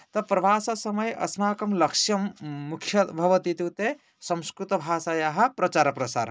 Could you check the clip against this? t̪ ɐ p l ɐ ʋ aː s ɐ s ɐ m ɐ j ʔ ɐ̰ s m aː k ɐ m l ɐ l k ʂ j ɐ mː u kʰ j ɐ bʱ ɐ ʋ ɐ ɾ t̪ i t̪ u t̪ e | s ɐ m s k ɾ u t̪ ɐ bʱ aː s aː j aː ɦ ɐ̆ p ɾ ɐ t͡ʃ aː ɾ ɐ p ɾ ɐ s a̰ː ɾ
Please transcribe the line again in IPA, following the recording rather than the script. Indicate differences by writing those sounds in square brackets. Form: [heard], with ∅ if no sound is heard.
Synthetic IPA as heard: t̪ ɐ p [ɾ] ɐ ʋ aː s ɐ s ɐ m ɐ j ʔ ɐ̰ s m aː k ɐ m l ɐ [∅] k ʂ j ɐ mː u kʰ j ɐ bʱ ɐ ʋ ɐ [∅] t̪ i t̪ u t̪ e | s ɐ m s k ɾ u t̪ ɐ bʱ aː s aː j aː ɦ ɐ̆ p ɾ ɐ t͡ʃ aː ɾ ɐ p ɾ ɐ s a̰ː ɾ